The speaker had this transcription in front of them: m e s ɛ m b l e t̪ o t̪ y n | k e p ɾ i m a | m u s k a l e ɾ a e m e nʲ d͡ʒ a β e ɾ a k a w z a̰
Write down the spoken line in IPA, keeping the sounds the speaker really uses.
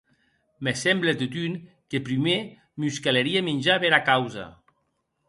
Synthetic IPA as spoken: m e s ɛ m b l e t̪ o t̪ y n | k e p ɾ i m e | m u s k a l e ɾ i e m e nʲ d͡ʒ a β e ɾ a k a w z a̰